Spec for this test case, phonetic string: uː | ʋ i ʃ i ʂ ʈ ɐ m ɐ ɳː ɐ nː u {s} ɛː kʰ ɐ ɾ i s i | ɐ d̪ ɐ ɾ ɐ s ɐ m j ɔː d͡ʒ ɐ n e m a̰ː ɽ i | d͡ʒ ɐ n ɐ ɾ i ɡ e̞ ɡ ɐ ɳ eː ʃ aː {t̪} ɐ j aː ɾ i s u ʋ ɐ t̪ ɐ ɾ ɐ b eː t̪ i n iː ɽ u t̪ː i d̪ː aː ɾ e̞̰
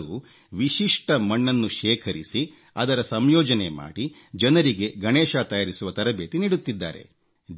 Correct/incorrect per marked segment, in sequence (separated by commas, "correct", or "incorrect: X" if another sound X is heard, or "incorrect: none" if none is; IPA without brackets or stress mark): incorrect: ʃ, correct